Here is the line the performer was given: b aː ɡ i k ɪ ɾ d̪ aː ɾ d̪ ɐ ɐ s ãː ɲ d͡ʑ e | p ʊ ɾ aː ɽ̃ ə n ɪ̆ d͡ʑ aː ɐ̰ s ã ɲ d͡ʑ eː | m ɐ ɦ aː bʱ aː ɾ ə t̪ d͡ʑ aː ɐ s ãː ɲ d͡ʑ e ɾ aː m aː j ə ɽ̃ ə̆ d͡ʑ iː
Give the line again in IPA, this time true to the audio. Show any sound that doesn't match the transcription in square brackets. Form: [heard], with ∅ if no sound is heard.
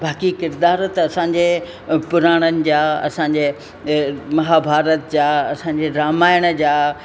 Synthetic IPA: b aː [k] i k ɪ ɾ d̪ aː ɾ [t̪] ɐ ɐ s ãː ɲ d͡ʑ e | p ʊ ɾ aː ɽ̃ ə n ɪ̆ d͡ʑ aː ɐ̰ s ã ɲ d͡ʑ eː | m ɐ ɦ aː bʱ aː ɾ ə t̪ d͡ʑ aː ɐ s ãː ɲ d͡ʑ e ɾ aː m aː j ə ɽ̃ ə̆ d͡ʑ [aː]

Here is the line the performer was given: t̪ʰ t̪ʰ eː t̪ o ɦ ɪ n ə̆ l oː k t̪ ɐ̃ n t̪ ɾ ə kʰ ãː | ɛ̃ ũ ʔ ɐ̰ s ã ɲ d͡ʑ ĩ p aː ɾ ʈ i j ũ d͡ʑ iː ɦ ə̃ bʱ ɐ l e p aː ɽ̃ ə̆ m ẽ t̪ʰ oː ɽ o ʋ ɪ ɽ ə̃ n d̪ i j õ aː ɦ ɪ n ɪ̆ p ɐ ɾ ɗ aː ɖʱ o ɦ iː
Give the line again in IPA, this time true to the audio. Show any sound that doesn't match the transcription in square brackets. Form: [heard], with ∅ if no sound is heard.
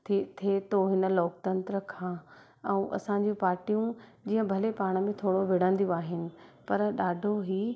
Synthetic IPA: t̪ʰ t̪ʰ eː t̪ o ɦ ɪ n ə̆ l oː k t̪ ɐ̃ n t̪ ɾ ə kʰ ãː | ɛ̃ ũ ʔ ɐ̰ s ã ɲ d͡ʑ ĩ p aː ɾ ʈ i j ũ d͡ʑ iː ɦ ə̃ bʱ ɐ l e p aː ɽ̃ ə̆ m ẽ t̪ʰ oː ɽ o ʋ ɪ ɽ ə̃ n d̪ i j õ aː ɦ ɪ n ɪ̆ p ɐ ɾ ɗ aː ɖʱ o ɦ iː

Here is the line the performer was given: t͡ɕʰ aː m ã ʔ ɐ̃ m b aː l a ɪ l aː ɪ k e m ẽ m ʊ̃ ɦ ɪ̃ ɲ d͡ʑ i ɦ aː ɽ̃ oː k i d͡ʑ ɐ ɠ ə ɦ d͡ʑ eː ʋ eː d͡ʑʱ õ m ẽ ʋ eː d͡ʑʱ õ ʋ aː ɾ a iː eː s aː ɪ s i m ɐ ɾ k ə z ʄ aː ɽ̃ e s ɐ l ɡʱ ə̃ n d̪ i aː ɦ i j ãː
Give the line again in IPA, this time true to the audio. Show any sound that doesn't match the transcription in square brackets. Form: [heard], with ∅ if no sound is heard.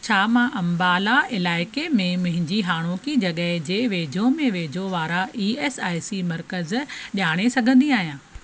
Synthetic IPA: t͡ɕʰ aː m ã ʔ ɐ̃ m b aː l a ɪ l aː ɪ k e m ẽ m ʊ̃ ɦ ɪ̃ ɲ d͡ʑ i ɦ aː ɽ̃ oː k i d͡ʑ ɐ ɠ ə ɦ d͡ʑ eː ʋ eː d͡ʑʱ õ m ẽ ʋ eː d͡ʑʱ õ ʋ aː ɾ a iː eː s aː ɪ s i m ɐ ɾ k ə z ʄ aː ɽ̃ e s ɐ [∅] ɡʱ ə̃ n d̪ i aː ɦ i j ãː

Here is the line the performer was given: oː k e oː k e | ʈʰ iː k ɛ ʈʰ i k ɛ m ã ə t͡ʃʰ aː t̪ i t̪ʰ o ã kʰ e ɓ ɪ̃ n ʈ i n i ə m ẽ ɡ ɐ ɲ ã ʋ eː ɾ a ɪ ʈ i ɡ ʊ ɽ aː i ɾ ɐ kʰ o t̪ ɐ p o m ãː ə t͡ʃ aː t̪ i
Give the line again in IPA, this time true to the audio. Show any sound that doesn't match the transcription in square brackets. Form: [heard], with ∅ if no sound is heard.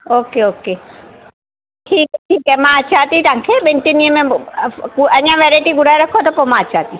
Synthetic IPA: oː k e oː k e | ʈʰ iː k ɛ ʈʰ [iː] k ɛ m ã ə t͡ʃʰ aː t̪ i [t̪] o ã kʰ e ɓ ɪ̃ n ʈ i n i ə m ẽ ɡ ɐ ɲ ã ʋ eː ɾ a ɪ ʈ i ɡ ʊ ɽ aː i ɾ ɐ kʰ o t̪ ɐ p o m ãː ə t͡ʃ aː t̪ i

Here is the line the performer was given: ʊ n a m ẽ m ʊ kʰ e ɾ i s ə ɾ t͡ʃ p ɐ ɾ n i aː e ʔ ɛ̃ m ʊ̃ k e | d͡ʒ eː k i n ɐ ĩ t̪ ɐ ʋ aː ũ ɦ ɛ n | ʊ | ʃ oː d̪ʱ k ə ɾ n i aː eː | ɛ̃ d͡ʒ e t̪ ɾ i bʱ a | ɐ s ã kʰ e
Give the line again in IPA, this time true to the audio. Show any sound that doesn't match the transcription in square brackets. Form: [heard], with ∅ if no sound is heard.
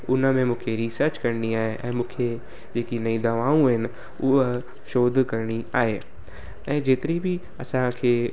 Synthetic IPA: ʊ n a m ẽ m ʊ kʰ e ɾ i s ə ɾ t͡ʃ [k] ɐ ɾ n i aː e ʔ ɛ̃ m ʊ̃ [kʰ] e | d͡ʒ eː k i n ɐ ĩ [d̪] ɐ ʋ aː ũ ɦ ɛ n | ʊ | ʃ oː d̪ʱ k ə ɾ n i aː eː | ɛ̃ d͡ʒ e t̪ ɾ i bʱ [i] | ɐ s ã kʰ e

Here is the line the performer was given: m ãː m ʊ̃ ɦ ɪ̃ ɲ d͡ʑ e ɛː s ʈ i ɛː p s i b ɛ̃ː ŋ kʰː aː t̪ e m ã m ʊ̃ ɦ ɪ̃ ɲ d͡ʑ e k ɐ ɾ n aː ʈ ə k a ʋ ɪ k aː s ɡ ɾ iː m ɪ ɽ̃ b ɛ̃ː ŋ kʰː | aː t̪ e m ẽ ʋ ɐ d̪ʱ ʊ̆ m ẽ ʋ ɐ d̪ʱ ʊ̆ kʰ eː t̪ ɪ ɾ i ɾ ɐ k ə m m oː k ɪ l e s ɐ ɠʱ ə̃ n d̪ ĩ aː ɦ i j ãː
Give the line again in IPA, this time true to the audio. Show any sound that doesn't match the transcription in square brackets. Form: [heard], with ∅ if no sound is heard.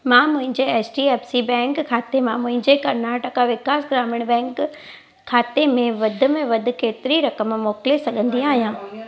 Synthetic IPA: m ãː m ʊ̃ ɦ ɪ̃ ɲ d͡ʑ e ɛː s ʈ i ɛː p s i b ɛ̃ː ŋ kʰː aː t̪ e m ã m ʊ̃ ɦ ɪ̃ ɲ d͡ʑ e k ɐ ɾ n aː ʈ ə k a ʋ ɪ k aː s ɡ ɾ [aː] m ɪ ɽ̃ b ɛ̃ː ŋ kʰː | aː t̪ e m ẽ ʋ ɐ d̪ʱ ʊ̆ m ẽ ʋ ɐ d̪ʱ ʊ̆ [k] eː t̪ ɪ ɾ i ɾ ɐ k ə m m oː k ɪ l e s ɐ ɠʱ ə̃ n d̪ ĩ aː ɦ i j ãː

